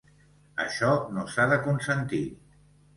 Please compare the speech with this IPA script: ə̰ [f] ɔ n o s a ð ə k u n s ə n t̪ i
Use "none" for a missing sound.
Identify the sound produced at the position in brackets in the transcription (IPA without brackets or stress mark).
ʃ